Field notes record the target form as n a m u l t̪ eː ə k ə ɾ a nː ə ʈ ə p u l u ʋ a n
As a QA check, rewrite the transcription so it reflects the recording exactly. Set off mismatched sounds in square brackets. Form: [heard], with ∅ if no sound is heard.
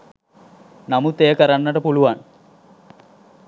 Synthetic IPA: n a m u [∅] t̪ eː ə k ə ɾ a nː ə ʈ ə p u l u ʋ a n